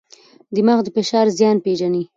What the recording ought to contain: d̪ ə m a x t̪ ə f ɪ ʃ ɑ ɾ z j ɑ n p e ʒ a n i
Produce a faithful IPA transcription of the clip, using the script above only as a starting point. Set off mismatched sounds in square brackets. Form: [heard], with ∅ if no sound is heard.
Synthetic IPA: d̪ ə m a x [d̪] ə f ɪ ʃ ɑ ɾ z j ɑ n p e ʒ a n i

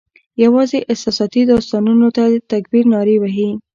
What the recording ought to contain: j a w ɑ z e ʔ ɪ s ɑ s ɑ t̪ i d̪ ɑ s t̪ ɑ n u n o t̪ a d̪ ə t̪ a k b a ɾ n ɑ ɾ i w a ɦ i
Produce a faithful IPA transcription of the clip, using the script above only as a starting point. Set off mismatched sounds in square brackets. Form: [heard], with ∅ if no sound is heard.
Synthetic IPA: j a w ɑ z e ʔ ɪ s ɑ s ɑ t̪ i d̪ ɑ s t̪ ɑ n u n o t̪ a d̪ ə t̪ a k b [i] ɾ n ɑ ɾ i w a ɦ i

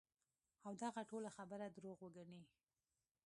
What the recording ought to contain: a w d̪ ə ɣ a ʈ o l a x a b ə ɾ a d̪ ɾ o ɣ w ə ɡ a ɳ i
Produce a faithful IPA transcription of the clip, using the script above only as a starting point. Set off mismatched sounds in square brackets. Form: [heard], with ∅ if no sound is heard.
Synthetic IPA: a w d̪ [a] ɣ a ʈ o l a x a b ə ɾ a d̪ ɾ o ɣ w ə ɡ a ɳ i

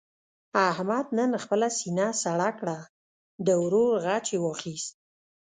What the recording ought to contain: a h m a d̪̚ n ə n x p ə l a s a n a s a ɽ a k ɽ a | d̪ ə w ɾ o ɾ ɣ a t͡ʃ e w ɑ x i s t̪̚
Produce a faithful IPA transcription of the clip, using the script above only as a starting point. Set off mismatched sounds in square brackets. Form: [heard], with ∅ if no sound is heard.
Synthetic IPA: a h m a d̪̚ n ə n x p ə l a s [i] n a s a ɽ a k ɽ a | d̪ ə w ɾ o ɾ ɣ a t͡ʃ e w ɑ x i s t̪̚

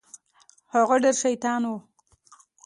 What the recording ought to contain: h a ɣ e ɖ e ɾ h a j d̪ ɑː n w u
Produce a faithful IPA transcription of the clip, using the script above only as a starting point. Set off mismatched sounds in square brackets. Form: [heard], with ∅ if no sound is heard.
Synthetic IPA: h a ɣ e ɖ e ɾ [ʃ] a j [t̪] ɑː n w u

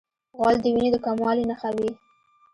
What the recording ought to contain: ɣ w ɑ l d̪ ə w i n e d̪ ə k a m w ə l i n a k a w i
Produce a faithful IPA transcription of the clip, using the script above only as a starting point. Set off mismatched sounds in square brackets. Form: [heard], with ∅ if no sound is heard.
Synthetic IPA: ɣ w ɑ l d̪ ə w i n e d̪ ə k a m w [ɑ] l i n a [x] a w i

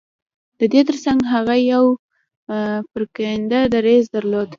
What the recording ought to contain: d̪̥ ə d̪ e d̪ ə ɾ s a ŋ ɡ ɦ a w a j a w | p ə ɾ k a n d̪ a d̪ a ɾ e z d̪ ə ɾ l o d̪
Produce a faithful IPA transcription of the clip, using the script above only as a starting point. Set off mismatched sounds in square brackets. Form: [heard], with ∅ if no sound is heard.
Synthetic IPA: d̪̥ ə d̪ e [t̪] ə ɾ s a ŋ ɡ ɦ a [ɣ] a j a w | p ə ɾ k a n d̪ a d̪ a ɾ e z d̪ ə ɾ l o d̪

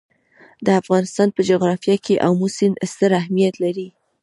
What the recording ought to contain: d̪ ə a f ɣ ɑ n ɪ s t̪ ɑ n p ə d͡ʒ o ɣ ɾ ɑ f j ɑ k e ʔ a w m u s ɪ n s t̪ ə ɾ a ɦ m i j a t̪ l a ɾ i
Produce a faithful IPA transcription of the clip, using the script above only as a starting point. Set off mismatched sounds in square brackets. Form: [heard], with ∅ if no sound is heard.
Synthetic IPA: d̪ ə a f ɣ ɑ n ɪ s t̪ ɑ n p ə d͡ʒ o ɣ ɾ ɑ f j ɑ k e ʔ a w m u s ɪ n s t̪ ə ɾ a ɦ m i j a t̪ l a ɾ i

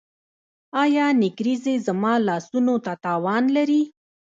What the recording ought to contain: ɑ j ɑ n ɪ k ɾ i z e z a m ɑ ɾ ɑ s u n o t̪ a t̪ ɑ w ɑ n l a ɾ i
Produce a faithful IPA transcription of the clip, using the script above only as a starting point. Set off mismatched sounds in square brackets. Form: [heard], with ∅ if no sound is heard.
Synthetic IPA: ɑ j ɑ n ɪ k ɾ i z e z a m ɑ [l] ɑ s u n o t̪ a t̪ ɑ w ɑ n l a ɾ i

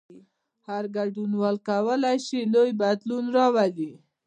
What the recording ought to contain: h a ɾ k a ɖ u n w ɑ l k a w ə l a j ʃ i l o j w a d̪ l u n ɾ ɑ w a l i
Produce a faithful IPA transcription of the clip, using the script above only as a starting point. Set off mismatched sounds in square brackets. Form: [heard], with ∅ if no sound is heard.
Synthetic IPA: h a ɾ [ɡ] a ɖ u n w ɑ l k a w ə l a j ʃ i l o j [b] a d̪ l u n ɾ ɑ w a l i

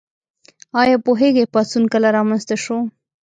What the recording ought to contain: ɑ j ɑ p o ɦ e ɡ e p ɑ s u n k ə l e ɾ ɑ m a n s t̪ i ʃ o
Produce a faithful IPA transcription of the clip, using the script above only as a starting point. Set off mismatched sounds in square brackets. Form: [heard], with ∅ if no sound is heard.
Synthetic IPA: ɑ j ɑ p o ɦ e ɡ e p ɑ s u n k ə l [a] ɾ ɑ m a n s t̪ [a] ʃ o

